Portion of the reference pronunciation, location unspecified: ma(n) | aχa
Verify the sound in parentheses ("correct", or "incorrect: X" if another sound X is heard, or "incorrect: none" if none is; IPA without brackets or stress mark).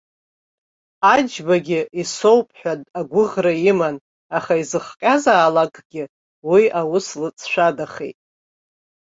correct